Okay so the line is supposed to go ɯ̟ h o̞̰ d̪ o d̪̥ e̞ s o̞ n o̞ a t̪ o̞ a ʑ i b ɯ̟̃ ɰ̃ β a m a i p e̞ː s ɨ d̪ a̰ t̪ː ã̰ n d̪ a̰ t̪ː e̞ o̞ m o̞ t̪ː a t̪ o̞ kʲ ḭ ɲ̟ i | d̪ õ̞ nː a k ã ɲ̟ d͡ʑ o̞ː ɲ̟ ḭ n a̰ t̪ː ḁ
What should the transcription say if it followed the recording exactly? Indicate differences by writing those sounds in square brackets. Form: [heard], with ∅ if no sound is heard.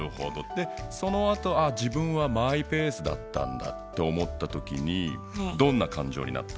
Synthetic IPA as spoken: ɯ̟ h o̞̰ d̪ o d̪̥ e̞ s o̞ n o̞ a t̪ o̞ a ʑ i b ɯ̟̃ ɰ̃ β a m a i p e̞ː s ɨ d̪ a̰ t̪ː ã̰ n d̪ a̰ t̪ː e̞ o̞ m o̞ t̪ː a t̪ o̞ kʲ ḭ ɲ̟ i | d̪ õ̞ nː a k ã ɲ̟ d͡ʑ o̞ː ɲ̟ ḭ n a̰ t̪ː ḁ